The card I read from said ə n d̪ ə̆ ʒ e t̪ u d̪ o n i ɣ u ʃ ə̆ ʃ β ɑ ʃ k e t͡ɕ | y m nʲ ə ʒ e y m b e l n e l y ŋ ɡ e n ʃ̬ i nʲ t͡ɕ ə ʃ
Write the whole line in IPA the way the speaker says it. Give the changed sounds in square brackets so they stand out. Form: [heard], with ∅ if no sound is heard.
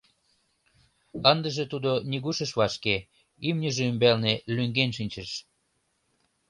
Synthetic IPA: ə n d̪ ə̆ ʒ e t̪ u d̪ o n i ɣ u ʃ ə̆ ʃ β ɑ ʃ k e [∅] | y m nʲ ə ʒ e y m b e l n e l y ŋ ɡ e n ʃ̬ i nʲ t͡ɕ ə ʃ